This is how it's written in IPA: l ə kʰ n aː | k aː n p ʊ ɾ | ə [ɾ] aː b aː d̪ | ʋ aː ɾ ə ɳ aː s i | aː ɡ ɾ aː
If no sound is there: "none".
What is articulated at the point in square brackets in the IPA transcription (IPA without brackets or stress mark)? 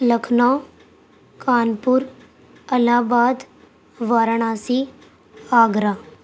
l